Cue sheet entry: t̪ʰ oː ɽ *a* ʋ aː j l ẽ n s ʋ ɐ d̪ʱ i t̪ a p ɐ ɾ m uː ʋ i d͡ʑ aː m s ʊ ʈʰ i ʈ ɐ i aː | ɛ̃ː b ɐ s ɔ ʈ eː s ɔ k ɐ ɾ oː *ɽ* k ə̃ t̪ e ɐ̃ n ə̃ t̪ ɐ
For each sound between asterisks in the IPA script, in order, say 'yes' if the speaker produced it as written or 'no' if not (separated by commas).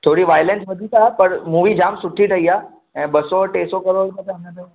no, yes